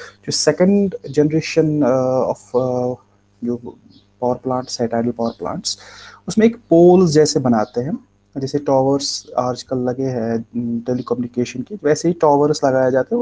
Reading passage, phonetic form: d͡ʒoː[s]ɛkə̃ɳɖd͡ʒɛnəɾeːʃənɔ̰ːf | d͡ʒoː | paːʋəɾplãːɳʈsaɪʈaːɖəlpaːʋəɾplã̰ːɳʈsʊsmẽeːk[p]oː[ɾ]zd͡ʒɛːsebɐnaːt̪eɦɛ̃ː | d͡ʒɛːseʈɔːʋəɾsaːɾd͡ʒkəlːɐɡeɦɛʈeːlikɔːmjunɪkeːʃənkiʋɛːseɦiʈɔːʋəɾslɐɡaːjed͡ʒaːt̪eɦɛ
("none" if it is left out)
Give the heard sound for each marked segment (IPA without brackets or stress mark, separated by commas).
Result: s, p, l